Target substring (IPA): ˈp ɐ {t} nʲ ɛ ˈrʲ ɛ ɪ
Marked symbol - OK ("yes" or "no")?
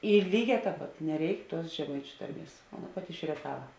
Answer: yes